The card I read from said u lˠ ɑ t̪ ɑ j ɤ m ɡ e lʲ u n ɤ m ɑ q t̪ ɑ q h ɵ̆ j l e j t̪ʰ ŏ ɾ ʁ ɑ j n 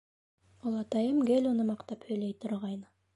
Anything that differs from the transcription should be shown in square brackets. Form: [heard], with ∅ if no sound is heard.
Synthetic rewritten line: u lˠ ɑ t̪ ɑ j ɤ m ɡ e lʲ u n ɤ m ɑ q t̪ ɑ [p] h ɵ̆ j l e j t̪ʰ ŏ ɾ ʁ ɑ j n